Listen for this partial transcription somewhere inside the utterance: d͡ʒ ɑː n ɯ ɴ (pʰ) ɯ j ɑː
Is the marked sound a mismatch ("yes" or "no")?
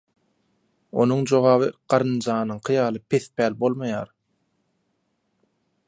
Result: yes